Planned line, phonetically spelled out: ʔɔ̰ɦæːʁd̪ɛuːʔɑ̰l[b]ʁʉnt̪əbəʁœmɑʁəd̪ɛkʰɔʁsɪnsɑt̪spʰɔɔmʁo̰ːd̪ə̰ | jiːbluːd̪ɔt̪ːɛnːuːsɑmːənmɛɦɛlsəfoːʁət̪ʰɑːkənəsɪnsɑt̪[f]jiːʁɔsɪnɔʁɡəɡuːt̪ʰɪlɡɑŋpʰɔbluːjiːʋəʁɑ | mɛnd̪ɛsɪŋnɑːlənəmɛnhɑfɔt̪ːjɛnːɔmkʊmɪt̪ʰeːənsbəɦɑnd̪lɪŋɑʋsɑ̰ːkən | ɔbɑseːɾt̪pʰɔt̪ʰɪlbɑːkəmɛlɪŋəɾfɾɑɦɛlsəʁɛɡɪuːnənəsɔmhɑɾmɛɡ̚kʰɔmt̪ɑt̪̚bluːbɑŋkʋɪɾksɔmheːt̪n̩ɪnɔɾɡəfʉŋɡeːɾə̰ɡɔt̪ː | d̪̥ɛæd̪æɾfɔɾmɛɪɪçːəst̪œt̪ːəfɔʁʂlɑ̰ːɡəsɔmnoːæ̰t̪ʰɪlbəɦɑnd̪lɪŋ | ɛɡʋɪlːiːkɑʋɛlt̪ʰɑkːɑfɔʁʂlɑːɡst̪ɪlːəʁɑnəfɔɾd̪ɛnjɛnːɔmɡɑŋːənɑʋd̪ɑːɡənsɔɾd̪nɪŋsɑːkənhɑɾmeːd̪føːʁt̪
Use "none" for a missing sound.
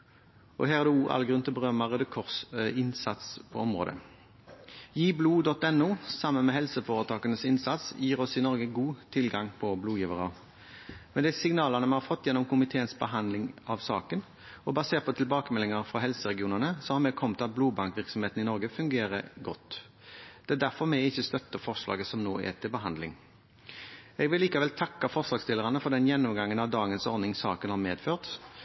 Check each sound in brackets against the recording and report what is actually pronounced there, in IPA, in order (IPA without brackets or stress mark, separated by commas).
ɡ, s